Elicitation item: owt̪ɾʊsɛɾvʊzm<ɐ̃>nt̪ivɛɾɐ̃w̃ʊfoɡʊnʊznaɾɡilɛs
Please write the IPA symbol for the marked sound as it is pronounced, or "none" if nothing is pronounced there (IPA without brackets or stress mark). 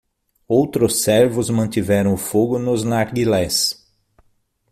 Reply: ɐ̃